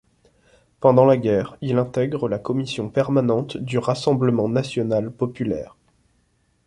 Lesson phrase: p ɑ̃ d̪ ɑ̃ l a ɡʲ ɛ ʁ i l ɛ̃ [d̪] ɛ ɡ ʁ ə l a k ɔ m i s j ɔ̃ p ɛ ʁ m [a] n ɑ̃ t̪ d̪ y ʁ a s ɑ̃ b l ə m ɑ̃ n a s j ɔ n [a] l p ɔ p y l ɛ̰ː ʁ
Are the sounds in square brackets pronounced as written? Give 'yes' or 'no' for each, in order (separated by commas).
no, yes, yes